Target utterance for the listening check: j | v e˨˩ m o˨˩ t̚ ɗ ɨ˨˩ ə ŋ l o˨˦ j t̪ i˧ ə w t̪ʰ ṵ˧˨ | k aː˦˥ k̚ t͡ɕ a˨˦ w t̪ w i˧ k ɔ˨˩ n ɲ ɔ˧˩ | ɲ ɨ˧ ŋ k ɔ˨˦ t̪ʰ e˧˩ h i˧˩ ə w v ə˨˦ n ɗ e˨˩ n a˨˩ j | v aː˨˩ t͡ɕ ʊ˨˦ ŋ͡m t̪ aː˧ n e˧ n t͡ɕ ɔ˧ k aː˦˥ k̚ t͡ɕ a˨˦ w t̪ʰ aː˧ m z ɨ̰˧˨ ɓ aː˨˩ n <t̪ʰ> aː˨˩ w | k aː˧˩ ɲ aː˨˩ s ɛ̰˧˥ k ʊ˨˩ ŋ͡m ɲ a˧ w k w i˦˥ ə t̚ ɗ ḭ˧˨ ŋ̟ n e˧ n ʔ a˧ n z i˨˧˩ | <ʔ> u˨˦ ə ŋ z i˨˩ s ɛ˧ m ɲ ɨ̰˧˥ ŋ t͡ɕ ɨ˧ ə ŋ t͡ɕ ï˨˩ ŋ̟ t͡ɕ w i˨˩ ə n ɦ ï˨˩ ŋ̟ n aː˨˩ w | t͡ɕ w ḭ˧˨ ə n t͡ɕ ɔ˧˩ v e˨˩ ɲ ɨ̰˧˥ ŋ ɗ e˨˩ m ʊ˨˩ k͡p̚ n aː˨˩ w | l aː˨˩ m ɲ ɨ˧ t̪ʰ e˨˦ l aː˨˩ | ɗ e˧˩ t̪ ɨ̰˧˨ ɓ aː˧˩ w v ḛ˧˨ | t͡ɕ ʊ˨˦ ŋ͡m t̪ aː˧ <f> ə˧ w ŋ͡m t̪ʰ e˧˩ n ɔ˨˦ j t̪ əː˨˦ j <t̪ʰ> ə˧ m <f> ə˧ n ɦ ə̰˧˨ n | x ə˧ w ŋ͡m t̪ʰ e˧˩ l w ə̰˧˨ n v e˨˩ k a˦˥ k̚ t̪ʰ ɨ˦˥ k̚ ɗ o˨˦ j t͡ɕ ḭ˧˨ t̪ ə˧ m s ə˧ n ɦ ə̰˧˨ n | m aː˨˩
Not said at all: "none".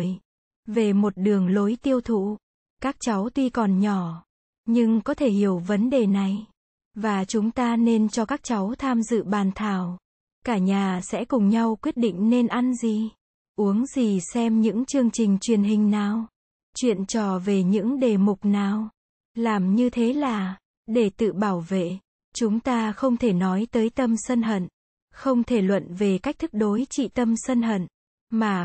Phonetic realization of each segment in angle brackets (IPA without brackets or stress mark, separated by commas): t̪ʰ, ʔ, x, t̪, s